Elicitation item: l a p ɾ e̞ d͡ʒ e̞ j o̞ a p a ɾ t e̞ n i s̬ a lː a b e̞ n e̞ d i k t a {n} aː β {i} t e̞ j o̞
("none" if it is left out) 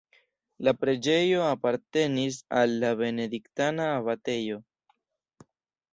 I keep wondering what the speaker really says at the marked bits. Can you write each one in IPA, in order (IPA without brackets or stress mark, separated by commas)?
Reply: n, a